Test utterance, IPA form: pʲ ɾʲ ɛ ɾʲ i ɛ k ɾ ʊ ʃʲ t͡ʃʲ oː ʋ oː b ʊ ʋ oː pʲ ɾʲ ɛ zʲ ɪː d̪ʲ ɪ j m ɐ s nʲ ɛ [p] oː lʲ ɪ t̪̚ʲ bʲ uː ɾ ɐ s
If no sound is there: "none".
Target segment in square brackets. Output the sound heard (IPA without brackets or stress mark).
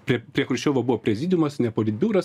p